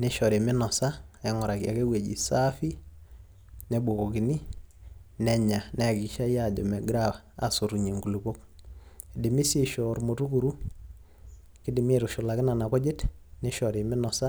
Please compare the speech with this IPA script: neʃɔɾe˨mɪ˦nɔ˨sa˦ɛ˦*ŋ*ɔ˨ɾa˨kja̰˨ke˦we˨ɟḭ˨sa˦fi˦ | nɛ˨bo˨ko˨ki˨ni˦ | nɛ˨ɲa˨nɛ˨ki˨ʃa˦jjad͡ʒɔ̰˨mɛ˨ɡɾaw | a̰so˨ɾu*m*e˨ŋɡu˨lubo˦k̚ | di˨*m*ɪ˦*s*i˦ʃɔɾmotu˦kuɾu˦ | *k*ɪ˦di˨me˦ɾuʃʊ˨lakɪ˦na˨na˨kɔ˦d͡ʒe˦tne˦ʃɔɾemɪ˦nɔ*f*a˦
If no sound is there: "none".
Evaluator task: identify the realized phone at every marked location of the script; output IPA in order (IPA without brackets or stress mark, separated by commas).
ŋ, ɲ, m, s, k, s